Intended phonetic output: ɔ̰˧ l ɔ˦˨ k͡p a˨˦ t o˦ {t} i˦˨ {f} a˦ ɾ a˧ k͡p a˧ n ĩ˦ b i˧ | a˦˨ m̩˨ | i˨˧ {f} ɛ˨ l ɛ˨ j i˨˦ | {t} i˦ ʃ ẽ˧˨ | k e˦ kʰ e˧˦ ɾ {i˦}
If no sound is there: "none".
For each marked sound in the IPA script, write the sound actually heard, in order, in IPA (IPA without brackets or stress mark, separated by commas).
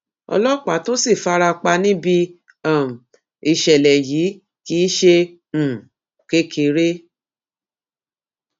s, f, ʃ, k, e˦